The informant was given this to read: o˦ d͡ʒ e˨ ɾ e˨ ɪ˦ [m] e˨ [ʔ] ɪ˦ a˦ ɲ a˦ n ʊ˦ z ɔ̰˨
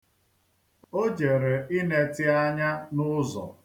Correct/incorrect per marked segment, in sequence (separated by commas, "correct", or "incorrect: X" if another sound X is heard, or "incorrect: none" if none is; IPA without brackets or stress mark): incorrect: n, incorrect: t